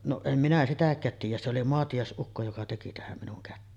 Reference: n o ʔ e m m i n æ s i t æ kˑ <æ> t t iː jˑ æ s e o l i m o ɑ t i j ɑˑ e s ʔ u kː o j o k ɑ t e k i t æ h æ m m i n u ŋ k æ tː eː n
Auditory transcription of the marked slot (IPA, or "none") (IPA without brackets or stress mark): æː